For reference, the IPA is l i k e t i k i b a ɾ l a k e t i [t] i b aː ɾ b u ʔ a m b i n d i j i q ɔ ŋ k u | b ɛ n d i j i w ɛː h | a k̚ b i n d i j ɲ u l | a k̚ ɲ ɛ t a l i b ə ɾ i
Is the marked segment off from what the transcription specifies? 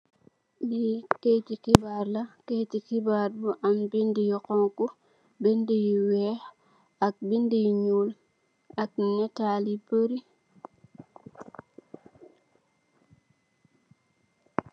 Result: yes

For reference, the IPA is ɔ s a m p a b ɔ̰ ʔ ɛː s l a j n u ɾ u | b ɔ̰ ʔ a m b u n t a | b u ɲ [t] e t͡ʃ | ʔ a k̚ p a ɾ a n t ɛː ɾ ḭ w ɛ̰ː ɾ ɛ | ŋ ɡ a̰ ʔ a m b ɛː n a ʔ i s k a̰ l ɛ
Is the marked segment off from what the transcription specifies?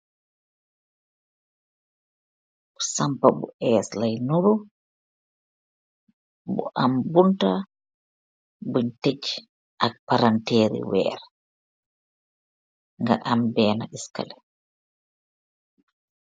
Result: no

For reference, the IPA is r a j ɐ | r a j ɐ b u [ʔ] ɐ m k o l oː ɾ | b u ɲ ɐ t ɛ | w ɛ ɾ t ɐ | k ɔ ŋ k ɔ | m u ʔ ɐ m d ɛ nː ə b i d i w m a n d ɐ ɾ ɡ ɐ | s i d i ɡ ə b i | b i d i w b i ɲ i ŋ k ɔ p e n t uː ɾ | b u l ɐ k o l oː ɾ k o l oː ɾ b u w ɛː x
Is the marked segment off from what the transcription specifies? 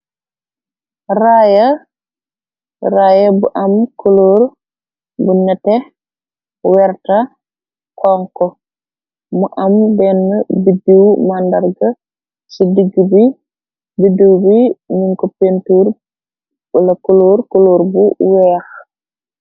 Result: no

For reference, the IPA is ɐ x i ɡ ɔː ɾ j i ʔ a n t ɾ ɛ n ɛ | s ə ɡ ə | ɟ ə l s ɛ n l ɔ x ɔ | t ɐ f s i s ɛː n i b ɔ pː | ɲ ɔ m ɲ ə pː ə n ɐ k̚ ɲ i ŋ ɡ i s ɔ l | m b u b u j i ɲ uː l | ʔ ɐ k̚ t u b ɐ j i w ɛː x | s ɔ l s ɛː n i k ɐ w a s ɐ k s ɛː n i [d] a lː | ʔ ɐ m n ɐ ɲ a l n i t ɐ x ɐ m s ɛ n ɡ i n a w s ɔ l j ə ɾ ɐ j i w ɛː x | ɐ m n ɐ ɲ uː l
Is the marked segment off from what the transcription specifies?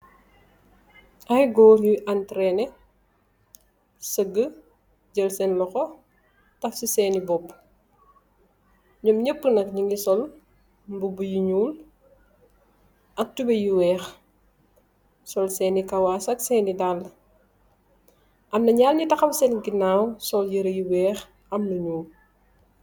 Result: no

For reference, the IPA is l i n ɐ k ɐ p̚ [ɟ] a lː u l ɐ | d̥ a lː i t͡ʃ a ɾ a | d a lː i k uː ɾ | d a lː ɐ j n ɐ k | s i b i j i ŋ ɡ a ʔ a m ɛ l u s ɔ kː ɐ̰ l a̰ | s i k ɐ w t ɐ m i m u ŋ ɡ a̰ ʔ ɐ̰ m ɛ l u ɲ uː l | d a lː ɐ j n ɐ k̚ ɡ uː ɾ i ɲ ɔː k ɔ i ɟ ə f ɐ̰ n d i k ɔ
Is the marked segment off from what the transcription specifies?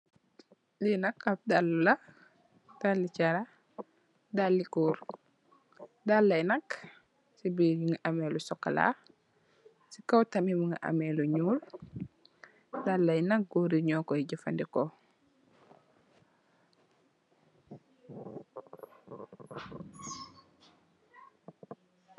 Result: yes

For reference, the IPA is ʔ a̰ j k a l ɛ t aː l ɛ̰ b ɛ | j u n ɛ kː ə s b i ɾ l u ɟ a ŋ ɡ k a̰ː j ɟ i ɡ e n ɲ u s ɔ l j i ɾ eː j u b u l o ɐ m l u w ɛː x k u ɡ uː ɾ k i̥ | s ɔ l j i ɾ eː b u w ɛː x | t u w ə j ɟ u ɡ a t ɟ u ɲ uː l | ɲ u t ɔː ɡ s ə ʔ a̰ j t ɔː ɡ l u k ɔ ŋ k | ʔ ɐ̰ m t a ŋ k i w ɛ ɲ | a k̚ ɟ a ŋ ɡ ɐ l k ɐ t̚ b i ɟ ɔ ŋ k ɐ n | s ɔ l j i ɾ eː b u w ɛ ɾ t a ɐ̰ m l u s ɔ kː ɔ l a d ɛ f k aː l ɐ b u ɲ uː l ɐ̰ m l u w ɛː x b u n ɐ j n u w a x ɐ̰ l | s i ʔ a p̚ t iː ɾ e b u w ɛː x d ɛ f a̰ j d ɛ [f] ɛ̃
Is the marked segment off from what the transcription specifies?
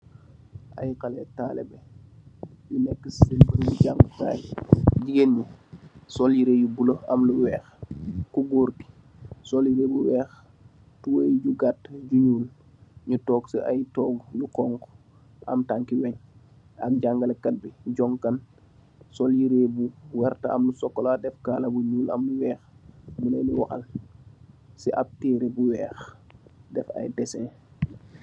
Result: yes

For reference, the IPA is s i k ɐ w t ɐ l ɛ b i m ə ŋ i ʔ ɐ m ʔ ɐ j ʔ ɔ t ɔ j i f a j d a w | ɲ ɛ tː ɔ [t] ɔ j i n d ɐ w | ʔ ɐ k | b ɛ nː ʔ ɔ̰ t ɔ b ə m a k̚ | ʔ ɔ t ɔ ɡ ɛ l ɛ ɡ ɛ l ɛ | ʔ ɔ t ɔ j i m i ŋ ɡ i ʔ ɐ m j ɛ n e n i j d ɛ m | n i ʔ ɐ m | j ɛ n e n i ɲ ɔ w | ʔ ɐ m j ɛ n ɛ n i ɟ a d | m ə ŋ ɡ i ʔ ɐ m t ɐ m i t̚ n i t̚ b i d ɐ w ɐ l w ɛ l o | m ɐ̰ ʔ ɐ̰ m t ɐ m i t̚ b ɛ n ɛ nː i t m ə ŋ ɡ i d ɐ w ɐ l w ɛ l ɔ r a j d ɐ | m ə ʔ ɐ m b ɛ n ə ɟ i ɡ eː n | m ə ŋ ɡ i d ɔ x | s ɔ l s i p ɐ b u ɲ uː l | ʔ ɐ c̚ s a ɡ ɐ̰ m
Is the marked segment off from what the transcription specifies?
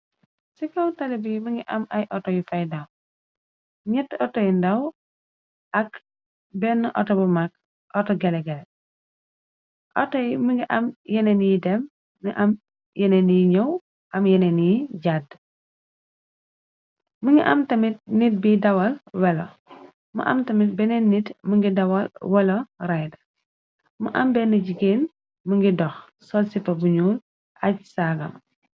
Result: no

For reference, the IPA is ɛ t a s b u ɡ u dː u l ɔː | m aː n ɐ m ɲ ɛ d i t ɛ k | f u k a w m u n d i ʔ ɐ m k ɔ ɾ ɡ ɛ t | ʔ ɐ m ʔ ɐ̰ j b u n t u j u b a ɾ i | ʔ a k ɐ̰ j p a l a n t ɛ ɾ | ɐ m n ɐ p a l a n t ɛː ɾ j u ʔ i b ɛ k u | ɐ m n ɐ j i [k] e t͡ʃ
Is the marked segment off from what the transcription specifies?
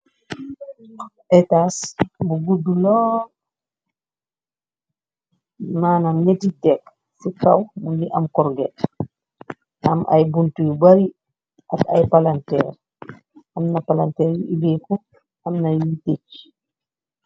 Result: yes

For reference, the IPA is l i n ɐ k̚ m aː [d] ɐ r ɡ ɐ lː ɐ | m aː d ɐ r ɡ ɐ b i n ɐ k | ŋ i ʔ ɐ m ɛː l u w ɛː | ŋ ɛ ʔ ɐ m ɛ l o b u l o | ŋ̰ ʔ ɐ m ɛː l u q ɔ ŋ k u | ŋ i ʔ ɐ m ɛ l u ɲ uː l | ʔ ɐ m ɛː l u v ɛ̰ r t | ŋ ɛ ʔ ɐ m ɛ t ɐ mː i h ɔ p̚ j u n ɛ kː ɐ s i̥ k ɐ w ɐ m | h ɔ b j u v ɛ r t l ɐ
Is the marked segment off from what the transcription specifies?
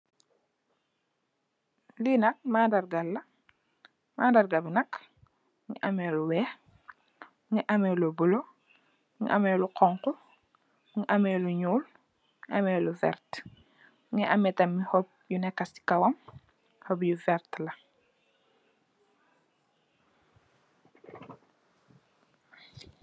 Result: no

